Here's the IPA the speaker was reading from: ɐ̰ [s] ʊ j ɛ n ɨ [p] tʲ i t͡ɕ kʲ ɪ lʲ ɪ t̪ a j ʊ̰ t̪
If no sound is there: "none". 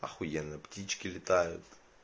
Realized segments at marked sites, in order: x, p

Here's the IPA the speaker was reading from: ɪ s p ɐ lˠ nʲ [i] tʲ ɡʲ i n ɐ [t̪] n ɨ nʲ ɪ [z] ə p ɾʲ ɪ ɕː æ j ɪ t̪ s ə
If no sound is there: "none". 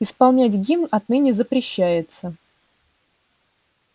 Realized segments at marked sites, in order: æ, t̪, z

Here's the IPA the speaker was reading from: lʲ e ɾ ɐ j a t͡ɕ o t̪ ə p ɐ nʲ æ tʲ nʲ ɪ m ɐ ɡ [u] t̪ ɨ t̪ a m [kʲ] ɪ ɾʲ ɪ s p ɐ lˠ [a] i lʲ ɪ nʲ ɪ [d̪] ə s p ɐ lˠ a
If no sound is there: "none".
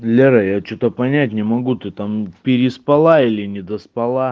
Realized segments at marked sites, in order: u, pʲ, a, d̪

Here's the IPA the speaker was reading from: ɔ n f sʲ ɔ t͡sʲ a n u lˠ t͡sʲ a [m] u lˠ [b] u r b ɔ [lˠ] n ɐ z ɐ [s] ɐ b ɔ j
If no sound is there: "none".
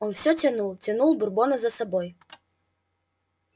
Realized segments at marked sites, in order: n, b, none, s

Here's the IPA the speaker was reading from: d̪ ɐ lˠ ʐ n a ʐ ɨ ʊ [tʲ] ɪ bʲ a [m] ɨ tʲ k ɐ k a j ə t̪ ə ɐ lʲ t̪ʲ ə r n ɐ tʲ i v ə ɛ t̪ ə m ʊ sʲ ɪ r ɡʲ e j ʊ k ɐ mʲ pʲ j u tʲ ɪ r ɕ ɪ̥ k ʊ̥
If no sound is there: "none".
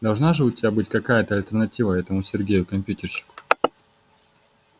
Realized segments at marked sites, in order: tʲ, b

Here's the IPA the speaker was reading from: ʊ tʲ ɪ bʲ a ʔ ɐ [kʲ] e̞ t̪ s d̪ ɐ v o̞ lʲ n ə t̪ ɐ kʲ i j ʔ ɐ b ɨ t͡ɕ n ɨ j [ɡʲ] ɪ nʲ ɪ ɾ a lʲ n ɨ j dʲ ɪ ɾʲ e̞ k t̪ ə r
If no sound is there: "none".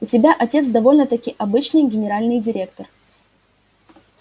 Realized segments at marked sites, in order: tʲ, ɡʲ

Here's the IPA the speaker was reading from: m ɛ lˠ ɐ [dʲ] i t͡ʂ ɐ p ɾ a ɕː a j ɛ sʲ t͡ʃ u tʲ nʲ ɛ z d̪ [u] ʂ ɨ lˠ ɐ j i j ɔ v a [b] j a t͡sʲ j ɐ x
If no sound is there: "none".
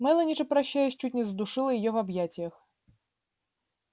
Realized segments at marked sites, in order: nʲ, u, b

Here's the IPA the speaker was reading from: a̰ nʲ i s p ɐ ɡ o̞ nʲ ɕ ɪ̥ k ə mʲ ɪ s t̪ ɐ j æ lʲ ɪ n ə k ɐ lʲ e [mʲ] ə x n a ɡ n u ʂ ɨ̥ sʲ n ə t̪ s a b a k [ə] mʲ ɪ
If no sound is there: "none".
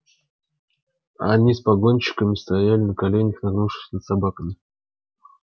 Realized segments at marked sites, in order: nʲ, ə

